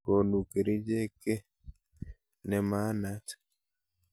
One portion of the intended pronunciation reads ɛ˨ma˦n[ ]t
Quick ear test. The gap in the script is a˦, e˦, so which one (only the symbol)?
a˦